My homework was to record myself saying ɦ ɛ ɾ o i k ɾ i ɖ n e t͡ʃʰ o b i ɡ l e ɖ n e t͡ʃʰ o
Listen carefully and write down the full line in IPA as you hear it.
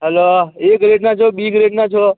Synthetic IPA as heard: ɦ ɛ l o e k ɾ e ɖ n a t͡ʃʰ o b i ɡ ɾ e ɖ n a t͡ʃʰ o

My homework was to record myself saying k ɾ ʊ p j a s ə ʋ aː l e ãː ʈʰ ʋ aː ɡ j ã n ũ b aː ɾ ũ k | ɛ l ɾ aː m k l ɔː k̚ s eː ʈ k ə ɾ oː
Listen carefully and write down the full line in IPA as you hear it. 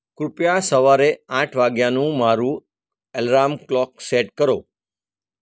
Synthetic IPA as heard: k ɾ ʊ p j a s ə ʋ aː ɾ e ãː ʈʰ ʋ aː ɡ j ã n ũ m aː ɾ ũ | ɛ l ɾ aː m k l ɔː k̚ s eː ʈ k ə ɾ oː

